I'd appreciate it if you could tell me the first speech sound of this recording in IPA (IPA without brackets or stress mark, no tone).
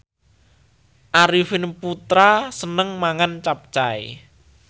ʔ